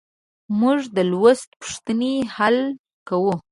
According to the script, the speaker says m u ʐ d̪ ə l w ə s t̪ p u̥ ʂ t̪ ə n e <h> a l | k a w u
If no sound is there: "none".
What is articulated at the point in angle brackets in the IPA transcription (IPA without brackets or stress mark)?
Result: h